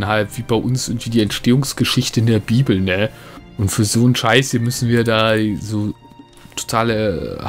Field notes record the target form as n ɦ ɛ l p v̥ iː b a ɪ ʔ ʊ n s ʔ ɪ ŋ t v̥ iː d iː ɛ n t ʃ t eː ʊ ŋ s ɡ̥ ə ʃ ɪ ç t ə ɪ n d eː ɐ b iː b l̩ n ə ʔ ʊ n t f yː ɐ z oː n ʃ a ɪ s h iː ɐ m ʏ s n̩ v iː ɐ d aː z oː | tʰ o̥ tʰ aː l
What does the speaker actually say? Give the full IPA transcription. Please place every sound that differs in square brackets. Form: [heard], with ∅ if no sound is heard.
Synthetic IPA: n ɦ [a] l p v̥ iː b a ɪ ʔ ʊ n s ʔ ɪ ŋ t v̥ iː d iː ɛ n t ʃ t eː ʊ ŋ s ɡ̥ ə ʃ ɪ ç t ə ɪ n d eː ɐ b iː b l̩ n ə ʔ ʊ n t f yː ɐ z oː n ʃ a ɪ s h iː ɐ m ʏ s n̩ v iː ɐ d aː z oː | tʰ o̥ tʰ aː l